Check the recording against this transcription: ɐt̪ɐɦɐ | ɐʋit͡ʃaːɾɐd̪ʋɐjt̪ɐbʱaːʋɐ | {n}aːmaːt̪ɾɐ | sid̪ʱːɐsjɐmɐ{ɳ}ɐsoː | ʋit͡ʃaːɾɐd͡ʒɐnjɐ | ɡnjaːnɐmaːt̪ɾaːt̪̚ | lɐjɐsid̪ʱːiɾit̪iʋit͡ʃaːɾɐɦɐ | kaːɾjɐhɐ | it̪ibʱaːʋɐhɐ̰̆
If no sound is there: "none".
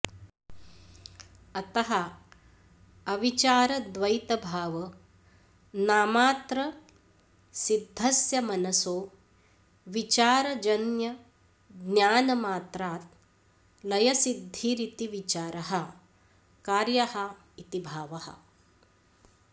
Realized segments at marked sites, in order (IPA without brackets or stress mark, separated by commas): n, n